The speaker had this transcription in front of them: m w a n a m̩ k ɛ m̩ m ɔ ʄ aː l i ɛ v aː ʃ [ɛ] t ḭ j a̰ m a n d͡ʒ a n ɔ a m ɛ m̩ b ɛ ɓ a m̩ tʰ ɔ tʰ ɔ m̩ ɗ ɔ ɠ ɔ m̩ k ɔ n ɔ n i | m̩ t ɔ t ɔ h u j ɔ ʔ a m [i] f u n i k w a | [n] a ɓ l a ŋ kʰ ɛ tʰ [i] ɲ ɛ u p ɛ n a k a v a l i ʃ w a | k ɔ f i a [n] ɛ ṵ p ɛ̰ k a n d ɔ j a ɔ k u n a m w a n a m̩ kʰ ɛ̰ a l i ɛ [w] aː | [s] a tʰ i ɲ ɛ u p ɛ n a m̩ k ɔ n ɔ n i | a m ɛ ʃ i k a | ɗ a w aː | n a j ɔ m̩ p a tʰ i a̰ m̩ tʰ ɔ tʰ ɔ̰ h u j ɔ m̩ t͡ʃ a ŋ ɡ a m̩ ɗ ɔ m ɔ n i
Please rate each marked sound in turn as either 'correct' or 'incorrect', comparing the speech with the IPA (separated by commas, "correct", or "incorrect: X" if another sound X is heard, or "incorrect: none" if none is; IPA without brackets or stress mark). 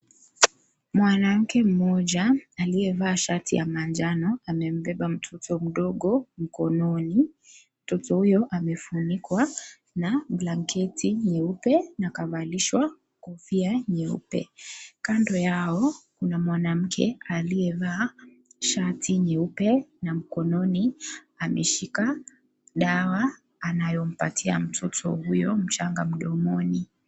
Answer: incorrect: a, incorrect: ɛ, correct, correct, incorrect: ɲ, incorrect: v, incorrect: ʃ